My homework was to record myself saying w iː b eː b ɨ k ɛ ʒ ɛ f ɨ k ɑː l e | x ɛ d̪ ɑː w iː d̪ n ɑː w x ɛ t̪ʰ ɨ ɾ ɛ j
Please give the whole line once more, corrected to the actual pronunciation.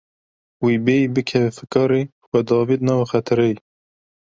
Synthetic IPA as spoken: w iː b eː b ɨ kʰ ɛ v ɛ f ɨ k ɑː ɾ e | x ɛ d̪ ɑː v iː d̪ n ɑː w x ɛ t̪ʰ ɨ ɾ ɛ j